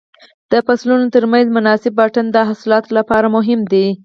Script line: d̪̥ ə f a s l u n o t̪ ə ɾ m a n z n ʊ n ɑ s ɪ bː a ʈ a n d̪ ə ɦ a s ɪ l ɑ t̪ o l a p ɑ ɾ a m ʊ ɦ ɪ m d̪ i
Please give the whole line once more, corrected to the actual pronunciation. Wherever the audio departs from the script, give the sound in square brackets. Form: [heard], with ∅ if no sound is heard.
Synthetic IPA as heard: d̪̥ ə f a s l u n o t̪ ə ɾ m a n z [m] ʊ n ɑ s ɪ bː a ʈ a n d̪ ə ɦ a s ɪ l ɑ t̪ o l a p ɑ ɾ a m ʊ ɦ ɪ m d̪ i